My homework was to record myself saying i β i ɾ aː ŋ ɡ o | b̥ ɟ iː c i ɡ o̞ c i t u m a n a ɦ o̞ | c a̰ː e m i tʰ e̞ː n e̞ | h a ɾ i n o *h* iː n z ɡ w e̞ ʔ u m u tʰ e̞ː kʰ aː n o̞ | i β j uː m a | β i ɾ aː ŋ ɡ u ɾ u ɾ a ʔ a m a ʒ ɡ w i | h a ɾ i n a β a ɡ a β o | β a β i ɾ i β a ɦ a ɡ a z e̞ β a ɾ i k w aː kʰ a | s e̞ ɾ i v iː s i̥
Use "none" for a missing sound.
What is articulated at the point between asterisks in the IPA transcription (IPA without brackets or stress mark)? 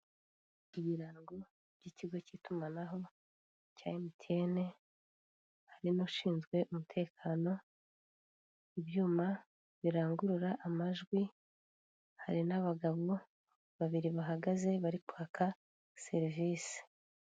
ʃ